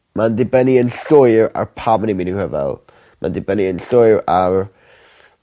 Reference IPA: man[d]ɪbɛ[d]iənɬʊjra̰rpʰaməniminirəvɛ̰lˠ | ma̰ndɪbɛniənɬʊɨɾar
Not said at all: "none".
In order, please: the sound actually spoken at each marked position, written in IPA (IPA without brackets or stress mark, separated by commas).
d, n